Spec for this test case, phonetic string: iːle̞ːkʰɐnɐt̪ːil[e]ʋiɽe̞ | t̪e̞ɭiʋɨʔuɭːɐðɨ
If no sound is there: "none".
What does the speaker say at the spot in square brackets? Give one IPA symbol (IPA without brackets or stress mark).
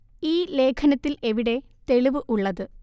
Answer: e